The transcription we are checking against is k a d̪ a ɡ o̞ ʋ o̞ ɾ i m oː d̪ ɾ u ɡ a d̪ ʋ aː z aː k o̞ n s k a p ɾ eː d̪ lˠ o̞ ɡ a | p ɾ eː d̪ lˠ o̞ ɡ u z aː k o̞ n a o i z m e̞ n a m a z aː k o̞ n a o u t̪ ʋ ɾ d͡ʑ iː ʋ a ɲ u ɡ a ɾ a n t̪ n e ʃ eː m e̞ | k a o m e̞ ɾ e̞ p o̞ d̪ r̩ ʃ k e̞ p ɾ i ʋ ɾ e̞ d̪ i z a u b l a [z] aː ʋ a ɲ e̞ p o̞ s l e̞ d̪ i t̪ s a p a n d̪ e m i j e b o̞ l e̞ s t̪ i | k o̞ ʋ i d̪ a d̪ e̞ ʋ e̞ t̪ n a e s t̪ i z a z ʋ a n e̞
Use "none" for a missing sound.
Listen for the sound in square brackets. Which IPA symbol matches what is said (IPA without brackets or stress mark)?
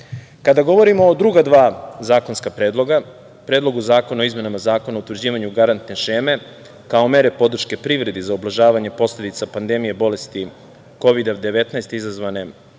ʒ